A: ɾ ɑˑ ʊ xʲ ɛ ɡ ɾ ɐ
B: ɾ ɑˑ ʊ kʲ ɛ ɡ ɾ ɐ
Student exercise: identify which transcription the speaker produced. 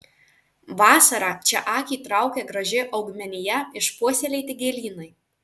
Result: B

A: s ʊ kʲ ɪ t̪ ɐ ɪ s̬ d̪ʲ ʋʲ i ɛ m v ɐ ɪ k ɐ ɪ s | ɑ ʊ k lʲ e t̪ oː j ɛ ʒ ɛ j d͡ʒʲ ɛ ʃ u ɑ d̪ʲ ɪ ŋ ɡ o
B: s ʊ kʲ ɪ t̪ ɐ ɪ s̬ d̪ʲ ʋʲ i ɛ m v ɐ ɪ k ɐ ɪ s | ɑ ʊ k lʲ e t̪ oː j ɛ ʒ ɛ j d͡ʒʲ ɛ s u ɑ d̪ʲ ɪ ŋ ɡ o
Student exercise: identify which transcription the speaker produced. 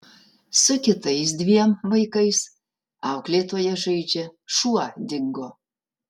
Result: A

